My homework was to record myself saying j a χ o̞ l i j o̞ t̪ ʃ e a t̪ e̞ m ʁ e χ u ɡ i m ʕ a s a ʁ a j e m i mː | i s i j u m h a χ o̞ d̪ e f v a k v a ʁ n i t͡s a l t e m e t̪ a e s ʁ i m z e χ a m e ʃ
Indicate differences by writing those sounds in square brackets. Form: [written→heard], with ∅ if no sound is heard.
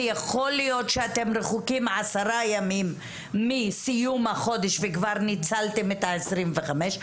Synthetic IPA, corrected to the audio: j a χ o̞ l i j o̞ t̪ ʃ e a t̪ e̞ m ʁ e χ u [ɡ→k] i m ʕ a s a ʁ a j [e→a] m i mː | i s i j u m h a χ o̞ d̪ e [f→ʃ] v [a→e] k v a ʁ n i t͡s a l t e m e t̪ a e s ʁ i m [z→v] e χ a m e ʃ